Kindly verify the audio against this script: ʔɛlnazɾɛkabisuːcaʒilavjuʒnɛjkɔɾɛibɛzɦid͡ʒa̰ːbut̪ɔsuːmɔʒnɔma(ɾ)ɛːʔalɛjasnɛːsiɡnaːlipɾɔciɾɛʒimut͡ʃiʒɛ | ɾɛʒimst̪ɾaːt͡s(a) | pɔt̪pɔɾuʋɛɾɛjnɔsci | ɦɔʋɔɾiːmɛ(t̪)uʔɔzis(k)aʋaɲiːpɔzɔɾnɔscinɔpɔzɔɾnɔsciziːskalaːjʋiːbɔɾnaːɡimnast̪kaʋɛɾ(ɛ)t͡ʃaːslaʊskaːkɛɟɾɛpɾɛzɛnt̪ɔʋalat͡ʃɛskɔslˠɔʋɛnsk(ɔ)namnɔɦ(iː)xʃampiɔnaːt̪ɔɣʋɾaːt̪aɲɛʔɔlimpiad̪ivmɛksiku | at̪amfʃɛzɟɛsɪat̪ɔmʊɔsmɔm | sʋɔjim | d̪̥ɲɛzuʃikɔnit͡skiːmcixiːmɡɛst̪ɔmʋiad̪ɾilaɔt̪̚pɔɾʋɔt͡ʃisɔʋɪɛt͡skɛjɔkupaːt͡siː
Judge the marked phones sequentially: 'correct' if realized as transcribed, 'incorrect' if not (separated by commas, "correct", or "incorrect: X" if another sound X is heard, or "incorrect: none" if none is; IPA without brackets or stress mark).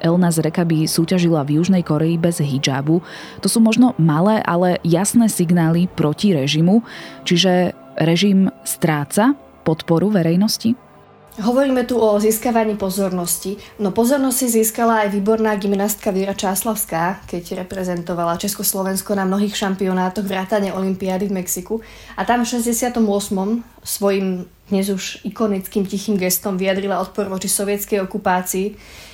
incorrect: l, correct, correct, correct, incorrect: a, correct, correct